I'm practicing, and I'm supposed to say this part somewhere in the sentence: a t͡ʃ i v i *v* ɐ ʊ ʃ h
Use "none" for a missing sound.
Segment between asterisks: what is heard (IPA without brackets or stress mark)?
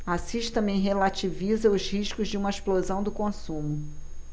z